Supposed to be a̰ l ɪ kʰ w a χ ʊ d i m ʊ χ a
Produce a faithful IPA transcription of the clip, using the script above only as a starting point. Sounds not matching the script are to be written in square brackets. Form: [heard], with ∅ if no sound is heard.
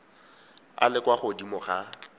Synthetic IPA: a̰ l ɪ [k] w a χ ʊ d i m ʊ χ a